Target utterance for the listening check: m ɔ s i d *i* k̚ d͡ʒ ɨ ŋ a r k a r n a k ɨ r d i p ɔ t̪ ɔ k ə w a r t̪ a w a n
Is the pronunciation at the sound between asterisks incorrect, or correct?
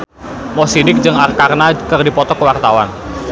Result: incorrect